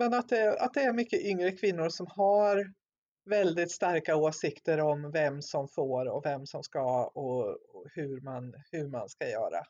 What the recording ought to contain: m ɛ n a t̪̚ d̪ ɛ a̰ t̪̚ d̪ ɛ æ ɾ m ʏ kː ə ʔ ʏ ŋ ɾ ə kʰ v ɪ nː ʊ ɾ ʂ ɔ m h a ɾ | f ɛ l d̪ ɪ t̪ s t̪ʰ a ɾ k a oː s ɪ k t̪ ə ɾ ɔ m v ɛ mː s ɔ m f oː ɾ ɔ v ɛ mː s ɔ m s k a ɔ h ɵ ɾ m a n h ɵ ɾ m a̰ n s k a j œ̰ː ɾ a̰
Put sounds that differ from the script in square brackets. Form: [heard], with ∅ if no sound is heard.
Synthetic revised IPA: m ɛ n a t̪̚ d̪ ɛ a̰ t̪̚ d̪ ɛ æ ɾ m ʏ kː ə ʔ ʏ ŋ ɾ ə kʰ v ɪ nː ʊ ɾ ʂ ɔ m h a ɾ | [v] ɛ l d̪ ɪ t̪ s [t̪] a ɾ k a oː s ɪ k t̪ ə ɾ ɔ m v ɛ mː s ɔ m f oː ɾ ɔ v ɛ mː s ɔ m s k a ɔ h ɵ ɾ m a n h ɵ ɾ m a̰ n s k a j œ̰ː ɾ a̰